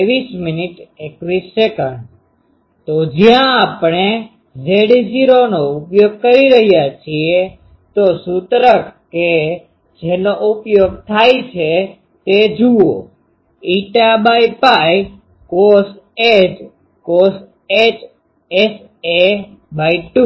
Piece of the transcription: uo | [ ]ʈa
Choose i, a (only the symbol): i